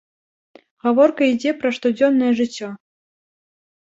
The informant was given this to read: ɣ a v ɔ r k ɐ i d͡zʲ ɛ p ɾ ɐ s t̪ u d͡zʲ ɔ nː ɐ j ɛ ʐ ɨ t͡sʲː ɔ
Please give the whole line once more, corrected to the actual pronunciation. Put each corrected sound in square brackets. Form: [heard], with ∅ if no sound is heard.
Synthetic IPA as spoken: ɣ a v ɔ r k ɐ i d͡zʲ ɛ p ɾ ɐ [ʂ] t̪ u d͡zʲ ɔ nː ɐ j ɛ ʐ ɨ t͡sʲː ɔ